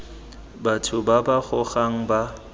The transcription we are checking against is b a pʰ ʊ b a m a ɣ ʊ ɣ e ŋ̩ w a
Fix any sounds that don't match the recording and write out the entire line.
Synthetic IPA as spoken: b a tʰ ʊ b a b a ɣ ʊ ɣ a ŋ̩ b a